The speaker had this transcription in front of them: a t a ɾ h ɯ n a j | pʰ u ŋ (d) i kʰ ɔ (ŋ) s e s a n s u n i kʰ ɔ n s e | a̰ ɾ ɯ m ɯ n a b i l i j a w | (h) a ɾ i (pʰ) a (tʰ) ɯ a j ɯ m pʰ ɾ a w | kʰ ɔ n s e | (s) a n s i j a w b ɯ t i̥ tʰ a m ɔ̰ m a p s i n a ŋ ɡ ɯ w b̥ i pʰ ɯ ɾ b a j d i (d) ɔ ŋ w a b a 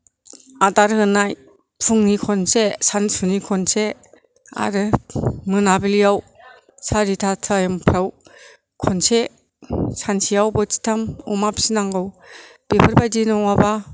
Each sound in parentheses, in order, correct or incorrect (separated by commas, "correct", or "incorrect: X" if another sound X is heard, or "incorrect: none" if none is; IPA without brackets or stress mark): incorrect: n, incorrect: n, incorrect: s, incorrect: tʰ, correct, correct, incorrect: n